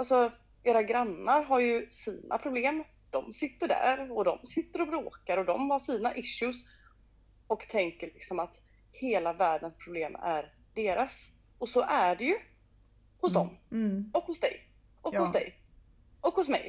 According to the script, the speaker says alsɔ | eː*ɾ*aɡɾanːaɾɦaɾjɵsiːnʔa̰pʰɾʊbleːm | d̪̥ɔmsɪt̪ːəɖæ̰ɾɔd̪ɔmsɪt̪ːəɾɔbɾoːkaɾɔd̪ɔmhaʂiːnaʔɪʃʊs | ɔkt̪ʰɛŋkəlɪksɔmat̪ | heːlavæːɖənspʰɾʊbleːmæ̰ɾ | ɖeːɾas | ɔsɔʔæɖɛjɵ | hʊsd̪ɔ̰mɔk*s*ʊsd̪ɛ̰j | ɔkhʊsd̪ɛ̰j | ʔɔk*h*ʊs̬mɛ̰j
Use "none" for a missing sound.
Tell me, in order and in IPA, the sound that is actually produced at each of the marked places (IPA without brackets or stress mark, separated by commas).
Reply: ɾ, h, h